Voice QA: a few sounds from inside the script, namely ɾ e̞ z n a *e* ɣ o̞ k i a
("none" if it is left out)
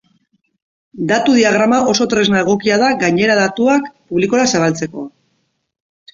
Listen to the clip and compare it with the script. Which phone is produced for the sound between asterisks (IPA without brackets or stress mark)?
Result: e